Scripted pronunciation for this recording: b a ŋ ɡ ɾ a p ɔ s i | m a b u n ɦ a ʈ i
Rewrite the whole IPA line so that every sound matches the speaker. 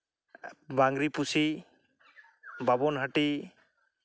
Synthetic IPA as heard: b a ŋ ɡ ɾ i p u s i | b a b ɔ n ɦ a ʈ i